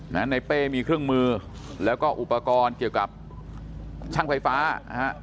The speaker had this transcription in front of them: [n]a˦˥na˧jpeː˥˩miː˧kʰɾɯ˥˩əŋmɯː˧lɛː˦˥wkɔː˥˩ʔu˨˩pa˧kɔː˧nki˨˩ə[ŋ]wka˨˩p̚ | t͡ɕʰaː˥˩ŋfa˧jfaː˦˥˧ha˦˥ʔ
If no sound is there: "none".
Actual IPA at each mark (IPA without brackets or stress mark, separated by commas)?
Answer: n, none